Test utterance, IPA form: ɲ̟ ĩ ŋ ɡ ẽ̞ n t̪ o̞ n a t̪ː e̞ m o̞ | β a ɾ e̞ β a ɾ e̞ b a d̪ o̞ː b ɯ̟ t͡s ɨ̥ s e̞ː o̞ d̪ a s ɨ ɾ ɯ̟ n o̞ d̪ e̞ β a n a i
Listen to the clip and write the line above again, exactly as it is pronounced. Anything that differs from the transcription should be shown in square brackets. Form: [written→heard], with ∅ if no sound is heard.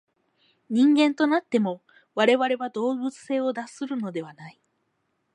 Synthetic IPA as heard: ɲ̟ ĩ ŋ ɡ ẽ̞ n t̪ o̞ n a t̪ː e̞ m o̞ | β a ɾ e̞ β a ɾ e̞ [b→β] a d̪ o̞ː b ɯ̟ t͡s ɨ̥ s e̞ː o̞ d̪ a s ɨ ɾ ɯ̟ n o̞ d̪ e̞ β a n a i

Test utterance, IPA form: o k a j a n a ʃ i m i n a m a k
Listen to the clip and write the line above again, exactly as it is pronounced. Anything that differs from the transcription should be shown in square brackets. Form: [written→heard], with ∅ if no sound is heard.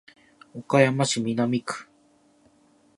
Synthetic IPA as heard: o k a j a [n→m] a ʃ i m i n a m [a→i] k

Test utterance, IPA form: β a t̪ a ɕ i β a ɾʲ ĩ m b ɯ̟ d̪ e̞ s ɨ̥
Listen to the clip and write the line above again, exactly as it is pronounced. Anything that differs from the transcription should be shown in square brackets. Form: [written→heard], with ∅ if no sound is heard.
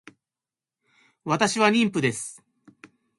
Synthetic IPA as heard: β a t̪ a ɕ i β a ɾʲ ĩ m [b→p] ɯ̟ d̪ e̞ s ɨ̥

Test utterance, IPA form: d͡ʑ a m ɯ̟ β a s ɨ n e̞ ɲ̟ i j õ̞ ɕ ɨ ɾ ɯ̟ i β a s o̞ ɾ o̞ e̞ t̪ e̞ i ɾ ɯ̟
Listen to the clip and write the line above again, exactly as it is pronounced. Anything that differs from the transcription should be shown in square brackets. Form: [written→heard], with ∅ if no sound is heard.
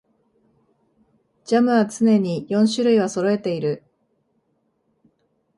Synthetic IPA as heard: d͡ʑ a m ɯ̟ β a [s→t͡s] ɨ n e̞ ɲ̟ i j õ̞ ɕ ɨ ɾ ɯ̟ i β a s o̞ ɾ o̞ e̞ t̪ e̞ i ɾ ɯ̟

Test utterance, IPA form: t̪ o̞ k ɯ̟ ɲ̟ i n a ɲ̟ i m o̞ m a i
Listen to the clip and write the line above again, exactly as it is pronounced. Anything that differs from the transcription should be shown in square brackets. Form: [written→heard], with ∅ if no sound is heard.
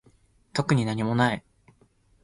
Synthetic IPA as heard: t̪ o̞ k ɯ̟ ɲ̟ i n a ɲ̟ i m o̞ [m→n] a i

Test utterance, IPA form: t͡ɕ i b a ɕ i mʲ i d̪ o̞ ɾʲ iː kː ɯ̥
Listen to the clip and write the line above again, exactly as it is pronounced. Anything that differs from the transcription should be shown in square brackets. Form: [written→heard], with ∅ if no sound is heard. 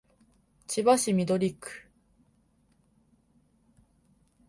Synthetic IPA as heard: t͡ɕ i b a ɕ i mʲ i d̪ o̞ ɾʲ [iː→i] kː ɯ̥

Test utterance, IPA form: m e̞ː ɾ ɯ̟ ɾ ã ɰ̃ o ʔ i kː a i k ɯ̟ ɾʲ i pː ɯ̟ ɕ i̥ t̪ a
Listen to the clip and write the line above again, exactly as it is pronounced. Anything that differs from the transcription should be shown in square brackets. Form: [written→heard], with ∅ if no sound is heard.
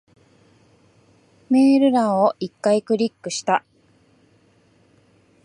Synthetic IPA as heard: m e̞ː ɾ ɯ̟ ɾ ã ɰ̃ o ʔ i kː a i k ɯ̟ ɾʲ i [pː→kː] ɯ̟ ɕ i̥ t̪ a

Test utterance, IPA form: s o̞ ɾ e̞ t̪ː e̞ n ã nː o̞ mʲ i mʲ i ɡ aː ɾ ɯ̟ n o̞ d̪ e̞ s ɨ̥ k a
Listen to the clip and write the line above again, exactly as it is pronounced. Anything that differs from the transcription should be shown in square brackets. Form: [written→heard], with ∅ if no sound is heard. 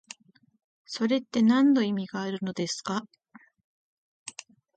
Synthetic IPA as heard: s o̞ ɾ e̞ t̪ː e̞ n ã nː o̞ [mʲ→∅] i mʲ i ɡ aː ɾ ɯ̟ n o̞ d̪ e̞ s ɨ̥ k a

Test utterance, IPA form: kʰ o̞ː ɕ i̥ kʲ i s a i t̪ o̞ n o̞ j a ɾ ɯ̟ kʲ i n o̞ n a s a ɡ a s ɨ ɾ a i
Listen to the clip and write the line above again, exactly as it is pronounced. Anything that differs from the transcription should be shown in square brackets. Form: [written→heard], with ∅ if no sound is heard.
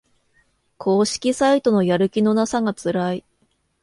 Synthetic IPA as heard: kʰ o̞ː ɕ i̥ kʲ i s a i t̪ o̞ n o̞ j a ɾ ɯ̟ kʲ i n o̞ n a s a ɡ a [s→t͡s] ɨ ɾ a i

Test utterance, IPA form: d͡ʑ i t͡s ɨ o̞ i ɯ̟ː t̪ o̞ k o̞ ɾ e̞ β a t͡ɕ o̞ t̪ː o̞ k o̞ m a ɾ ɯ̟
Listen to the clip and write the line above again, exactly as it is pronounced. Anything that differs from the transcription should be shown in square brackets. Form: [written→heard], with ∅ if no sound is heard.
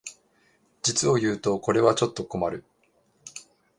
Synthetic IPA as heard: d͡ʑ i t͡s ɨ o̞ [i→j] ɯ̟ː t̪ o̞ k o̞ ɾ e̞ β a t͡ɕ o̞ t̪ː o̞ k o̞ m a ɾ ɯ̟

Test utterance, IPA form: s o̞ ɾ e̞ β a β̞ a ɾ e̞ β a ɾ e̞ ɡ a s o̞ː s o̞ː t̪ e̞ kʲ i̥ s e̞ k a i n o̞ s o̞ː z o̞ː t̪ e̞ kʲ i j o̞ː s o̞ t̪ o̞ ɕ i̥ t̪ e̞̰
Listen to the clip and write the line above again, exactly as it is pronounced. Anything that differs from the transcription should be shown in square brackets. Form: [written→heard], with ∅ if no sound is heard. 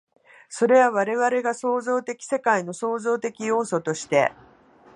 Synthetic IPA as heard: s o̞ ɾ e̞ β a β̞ a ɾ e̞ β a ɾ e̞ ɡ a s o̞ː [s→z] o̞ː t̪ e̞ kʲ i̥ s e̞ k a i n o̞ s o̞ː z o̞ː t̪ e̞ kʲ i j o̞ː s o̞ t̪ o̞ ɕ i̥ t̪ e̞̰

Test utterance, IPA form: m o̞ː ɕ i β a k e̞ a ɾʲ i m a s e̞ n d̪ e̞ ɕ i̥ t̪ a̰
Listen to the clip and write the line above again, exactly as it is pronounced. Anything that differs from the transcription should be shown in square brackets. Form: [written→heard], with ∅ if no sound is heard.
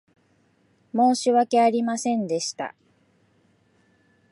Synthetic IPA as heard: m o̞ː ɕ i β a k e̞ a ɾʲ i m a s [e̞→ẽ̞] n d̪ e̞ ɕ i̥ t̪ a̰

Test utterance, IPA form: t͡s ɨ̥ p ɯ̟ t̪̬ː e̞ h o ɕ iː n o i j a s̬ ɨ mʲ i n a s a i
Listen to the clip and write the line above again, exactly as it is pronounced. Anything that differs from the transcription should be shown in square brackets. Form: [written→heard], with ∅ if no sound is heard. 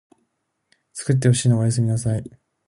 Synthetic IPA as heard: t͡s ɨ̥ [p→k] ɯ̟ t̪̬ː e̞ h o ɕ iː n o [i→a] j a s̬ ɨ mʲ i n a s a i

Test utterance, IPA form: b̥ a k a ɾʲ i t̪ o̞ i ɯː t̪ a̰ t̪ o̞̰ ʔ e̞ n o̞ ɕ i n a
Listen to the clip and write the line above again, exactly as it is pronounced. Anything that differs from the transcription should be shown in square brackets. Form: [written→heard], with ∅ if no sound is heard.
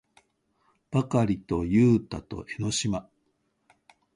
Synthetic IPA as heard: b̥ a k a ɾʲ i t̪ o̞ [i→j] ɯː t̪ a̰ t̪ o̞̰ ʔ e̞ n o̞ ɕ i [n→m] a

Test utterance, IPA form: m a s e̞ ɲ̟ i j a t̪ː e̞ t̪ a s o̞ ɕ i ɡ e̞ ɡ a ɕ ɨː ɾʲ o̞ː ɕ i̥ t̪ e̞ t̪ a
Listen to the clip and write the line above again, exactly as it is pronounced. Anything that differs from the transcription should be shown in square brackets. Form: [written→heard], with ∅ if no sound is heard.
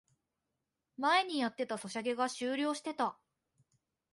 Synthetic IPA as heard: m a [s→∅] e̞ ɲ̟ i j a t̪ː e̞ t̪ a s o̞ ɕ [i→a] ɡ e̞ ɡ a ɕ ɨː ɾʲ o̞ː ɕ i̥ t̪ e̞ t̪ a

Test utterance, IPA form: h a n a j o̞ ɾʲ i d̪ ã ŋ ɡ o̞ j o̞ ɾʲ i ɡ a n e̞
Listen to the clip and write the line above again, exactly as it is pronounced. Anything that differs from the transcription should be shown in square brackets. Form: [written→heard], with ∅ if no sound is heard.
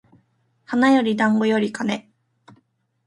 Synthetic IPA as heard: h a n a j o̞ ɾʲ i d̪ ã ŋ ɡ o̞ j o̞ ɾʲ i [ɡ→k] a n e̞

